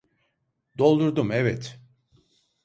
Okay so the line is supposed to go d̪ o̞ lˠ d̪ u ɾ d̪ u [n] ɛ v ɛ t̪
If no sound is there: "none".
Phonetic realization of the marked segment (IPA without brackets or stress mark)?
m